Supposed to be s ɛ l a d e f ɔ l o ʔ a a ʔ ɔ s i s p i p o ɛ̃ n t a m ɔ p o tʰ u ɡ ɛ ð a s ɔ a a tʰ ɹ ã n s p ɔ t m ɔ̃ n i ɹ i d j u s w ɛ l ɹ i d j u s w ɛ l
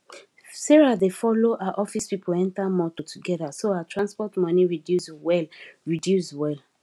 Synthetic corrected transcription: s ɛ ɹ a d e f ɔ l o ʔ a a ʔ ɔ f i s p i p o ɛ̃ n t a m ɔ t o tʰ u ɡ ɛ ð a s o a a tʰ ɹ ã n s p ɔ t m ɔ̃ n i ɹ i d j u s w ɛ l ɹ i d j u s w ɛ l